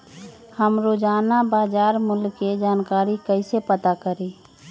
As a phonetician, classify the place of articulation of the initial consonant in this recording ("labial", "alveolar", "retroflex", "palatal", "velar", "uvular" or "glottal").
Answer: glottal